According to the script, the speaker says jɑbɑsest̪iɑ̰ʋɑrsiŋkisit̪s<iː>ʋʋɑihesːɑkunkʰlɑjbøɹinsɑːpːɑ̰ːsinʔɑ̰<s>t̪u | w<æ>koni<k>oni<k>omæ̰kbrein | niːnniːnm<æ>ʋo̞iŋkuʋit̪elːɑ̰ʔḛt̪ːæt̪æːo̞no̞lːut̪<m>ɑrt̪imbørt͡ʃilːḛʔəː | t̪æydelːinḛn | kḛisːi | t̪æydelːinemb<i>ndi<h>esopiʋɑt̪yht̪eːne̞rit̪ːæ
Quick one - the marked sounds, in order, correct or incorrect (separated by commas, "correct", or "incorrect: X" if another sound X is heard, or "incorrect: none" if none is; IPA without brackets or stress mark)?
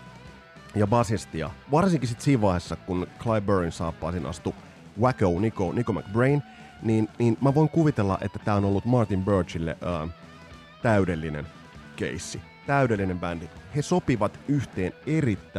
correct, correct, correct, correct, correct, correct, correct, incorrect: æ, correct